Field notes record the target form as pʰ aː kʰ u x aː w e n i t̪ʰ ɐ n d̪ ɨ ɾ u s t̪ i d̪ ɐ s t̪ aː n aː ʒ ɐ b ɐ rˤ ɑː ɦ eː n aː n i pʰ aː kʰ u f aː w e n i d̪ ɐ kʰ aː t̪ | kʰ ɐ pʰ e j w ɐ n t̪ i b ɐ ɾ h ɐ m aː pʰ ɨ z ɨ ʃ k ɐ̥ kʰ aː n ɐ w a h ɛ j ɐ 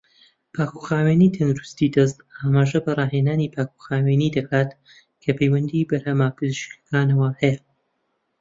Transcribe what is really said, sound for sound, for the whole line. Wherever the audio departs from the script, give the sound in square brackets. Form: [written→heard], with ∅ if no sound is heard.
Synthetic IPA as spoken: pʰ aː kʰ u x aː w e n i t̪ʰ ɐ n d̪ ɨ ɾ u s t̪ i d̪ ɐ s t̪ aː [n→m] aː ʒ ɐ b ɐ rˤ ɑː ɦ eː n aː n i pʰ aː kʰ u [f→x] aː w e n i d̪ ɐ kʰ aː t̪ | kʰ ɐ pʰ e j w ɐ n [t̪→d̪] i b ɐ ɾ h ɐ m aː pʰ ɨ z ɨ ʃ k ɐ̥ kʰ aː n ɐ w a h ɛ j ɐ

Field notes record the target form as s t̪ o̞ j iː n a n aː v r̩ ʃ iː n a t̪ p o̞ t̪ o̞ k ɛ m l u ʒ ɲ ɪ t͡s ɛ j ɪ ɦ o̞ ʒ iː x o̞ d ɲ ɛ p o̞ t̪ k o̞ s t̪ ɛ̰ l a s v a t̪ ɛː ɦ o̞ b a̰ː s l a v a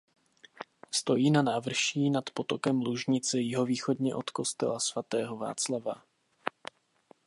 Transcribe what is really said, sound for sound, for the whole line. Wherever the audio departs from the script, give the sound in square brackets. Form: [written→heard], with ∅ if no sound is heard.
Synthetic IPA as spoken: s t̪ o̞ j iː n a n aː v r̩ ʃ iː n a t̪ p o̞ t̪ o̞ k ɛ m l u ʒ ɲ ɪ t͡s ɛ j ɪ ɦ o̞ [ʒ→v] iː x o̞ d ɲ ɛ [p→ʔ] o̞ t̪ k o̞ s t̪ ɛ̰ l a s v a t̪ ɛː ɦ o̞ [b→v] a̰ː [s→t͡s] l a v a

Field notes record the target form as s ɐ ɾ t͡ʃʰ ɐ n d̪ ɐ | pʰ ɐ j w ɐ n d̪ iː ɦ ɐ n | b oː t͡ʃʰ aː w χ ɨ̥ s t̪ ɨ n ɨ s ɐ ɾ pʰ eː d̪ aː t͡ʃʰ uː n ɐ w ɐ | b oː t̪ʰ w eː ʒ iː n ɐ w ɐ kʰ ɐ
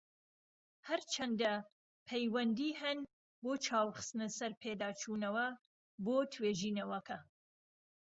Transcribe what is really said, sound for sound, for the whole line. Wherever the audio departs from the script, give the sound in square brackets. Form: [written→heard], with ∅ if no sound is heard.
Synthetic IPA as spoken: [s→h] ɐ ɾ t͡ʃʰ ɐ n d̪ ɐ | pʰ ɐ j w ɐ n d̪ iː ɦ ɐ n | b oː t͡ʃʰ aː w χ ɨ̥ s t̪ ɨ n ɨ s ɐ ɾ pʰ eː d̪ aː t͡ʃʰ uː n ɐ w ɐ | b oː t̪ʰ w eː ʒ iː n ɐ w ɐ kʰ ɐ

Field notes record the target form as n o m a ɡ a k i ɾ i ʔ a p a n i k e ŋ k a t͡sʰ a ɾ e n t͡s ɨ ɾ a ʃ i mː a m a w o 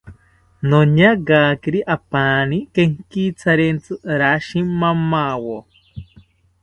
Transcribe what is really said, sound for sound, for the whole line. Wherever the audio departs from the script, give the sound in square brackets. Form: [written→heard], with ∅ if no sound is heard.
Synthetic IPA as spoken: n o [m→ɲ] a ɡ a k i ɾ i ʔ a p a n i k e ŋ k [a→i] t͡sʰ a ɾ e n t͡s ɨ ɾ a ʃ i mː a m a w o

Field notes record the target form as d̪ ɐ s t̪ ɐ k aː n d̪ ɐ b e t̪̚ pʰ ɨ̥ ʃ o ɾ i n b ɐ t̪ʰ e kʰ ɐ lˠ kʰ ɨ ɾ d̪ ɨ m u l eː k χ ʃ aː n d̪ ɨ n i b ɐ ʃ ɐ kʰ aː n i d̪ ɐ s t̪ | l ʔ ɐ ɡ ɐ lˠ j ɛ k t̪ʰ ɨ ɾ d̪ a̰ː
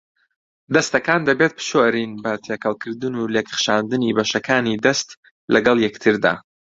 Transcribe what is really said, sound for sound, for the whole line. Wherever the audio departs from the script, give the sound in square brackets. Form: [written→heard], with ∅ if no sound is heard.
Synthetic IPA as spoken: d̪ ɐ s t̪ ɐ k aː n d̪ ɐ b e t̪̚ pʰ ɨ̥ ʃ o ɾ i n b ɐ t̪ʰ e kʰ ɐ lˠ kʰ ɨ ɾ d̪ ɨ [m→n] u l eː k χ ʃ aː n d̪ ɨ n i b ɐ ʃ ɐ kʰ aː n i d̪ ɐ s t̪ | l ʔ ɐ ɡ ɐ lˠ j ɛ k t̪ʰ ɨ ɾ d̪ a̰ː

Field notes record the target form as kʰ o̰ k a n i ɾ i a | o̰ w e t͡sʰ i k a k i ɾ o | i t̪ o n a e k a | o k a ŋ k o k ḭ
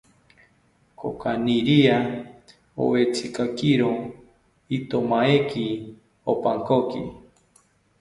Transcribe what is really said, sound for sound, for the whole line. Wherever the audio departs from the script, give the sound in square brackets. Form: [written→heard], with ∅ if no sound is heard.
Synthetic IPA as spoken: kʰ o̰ k a n i ɾ i a | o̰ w e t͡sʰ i k a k i ɾ o | i t̪ o [n→m] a e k [a→i] | o [k→p] a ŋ k o k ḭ

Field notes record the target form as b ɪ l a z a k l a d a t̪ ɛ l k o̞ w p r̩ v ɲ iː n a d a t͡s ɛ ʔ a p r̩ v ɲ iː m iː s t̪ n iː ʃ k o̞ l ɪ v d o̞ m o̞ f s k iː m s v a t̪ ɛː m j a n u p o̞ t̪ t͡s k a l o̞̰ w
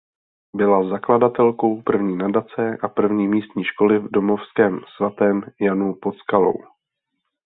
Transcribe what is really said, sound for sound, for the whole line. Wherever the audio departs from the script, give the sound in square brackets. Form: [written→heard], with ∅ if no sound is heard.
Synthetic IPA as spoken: b ɪ l a z a k l a d a t̪ ɛ l k o̞ w p r̩ v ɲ iː n a d a t͡s ɛ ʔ a p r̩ v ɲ iː m iː s t̪ [n→ɲ] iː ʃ k o̞ l ɪ v d o̞ m o̞ f s k [iː→ɛː] m s v a t̪ ɛː m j a n u p o̞ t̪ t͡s k a l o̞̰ w

